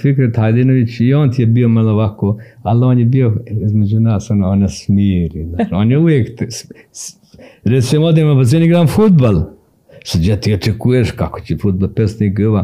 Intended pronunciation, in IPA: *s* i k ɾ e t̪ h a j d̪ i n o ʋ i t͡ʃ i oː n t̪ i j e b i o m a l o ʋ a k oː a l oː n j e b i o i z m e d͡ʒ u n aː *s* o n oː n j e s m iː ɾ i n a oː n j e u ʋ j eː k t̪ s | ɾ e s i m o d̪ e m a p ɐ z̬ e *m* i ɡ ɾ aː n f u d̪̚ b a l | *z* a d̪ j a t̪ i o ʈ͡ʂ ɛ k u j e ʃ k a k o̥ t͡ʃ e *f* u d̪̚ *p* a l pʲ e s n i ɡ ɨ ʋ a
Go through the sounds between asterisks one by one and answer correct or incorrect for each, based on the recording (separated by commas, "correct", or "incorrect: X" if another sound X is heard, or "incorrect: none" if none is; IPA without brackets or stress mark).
incorrect: f, correct, incorrect: n, incorrect: s, correct, incorrect: b